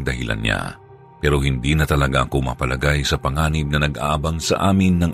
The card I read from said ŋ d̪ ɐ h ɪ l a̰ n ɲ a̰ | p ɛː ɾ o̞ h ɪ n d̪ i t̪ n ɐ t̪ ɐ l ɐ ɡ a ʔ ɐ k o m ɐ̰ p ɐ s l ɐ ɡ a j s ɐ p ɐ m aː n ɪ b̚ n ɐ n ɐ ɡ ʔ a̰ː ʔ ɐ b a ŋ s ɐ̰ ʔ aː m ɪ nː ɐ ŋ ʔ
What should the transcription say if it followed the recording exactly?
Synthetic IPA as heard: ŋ d̪ ɐ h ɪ l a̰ n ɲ a̰ | p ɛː ɾ o̞ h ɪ n d̪ i n ɐ t̪ ɐ l ɐ ɡ a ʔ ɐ k o m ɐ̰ p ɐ l ɐ ɡ a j s ɐ p ɐ ŋ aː n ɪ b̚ n ɐ n ɐ ɡ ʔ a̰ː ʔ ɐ b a ŋ s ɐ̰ ʔ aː m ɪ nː ɐ ŋ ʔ